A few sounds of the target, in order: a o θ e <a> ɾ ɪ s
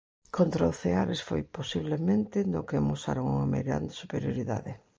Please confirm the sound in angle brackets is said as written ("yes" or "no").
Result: yes